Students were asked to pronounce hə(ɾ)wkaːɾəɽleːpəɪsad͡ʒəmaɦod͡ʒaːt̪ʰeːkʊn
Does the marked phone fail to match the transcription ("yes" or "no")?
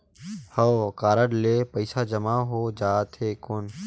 yes